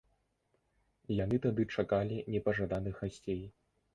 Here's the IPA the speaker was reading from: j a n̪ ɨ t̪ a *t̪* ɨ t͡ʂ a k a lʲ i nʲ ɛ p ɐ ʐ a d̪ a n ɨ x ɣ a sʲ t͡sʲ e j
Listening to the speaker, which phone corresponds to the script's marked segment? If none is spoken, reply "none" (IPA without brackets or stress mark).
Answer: d̪